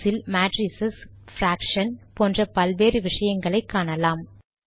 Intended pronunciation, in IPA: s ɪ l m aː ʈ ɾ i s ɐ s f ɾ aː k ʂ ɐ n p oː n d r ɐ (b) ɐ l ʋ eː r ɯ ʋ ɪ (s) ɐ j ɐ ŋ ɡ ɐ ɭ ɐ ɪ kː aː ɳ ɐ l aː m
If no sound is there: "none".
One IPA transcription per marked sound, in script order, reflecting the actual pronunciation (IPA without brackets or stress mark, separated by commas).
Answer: p, ʂ